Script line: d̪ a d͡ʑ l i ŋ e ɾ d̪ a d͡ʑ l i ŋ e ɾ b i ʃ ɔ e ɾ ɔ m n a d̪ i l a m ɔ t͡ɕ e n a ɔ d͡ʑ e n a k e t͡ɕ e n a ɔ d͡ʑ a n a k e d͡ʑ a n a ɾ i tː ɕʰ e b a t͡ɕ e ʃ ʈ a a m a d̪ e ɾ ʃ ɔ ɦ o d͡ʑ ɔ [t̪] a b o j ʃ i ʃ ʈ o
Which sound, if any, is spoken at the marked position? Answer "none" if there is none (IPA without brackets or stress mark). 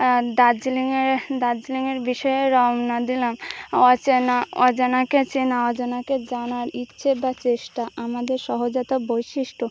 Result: t̪